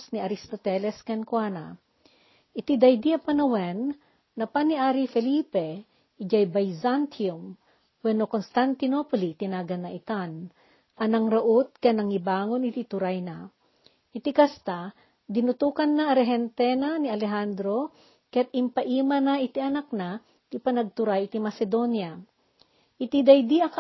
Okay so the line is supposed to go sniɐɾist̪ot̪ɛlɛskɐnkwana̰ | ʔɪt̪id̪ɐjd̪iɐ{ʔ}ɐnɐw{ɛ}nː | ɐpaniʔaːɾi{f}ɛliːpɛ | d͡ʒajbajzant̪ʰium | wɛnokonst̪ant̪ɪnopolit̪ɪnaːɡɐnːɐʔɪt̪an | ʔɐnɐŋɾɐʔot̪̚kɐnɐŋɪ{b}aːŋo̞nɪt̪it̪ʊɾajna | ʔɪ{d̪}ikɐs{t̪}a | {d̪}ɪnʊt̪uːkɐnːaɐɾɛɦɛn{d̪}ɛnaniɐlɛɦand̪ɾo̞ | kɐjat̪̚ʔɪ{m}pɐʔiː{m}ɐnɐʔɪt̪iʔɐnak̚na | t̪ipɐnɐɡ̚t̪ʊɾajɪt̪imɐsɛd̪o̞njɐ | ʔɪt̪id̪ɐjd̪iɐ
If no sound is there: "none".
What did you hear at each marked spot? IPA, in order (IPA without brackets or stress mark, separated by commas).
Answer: p, ɛ, f, b, t̪, t̪, d̪, t̪, m, m